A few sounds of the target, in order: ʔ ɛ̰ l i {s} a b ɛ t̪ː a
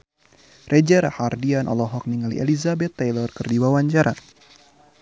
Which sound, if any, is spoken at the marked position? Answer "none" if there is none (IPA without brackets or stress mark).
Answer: z